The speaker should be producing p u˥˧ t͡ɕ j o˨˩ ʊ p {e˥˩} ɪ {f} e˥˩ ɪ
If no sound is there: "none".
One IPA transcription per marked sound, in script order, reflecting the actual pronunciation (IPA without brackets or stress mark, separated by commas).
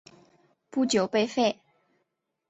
e˥˧, f